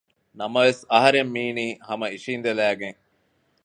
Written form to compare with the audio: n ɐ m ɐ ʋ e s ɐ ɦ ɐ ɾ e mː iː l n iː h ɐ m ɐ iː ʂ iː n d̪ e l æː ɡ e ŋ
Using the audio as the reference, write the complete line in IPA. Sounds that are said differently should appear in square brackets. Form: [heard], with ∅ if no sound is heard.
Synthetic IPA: n ɐ m ɐ ʋ e s ɐ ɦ ɐ ɾ e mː iː [∅] n iː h ɐ m ɐ [i] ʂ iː n d̪ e l æː ɡ e ŋ